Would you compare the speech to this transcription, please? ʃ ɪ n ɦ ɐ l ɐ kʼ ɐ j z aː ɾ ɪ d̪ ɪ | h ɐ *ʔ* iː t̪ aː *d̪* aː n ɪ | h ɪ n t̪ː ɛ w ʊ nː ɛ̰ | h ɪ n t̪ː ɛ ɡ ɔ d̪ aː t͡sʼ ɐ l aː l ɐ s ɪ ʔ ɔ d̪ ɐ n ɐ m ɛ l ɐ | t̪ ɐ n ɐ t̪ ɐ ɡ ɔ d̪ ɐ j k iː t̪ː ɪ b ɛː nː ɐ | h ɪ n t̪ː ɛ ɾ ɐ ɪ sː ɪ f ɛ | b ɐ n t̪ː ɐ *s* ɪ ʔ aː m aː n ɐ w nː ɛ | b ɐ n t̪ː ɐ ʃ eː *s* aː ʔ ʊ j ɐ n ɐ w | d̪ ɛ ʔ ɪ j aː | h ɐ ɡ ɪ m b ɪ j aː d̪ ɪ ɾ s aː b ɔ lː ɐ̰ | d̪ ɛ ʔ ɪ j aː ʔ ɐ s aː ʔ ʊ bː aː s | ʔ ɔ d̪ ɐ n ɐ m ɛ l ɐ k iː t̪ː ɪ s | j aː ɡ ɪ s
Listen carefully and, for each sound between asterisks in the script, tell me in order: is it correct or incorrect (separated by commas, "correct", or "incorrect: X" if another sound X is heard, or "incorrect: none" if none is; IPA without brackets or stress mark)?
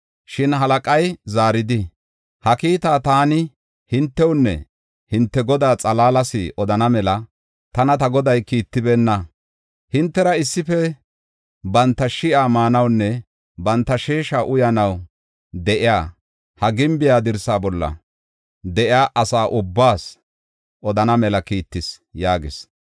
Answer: incorrect: k, incorrect: t̪, incorrect: ʃ, incorrect: ʃ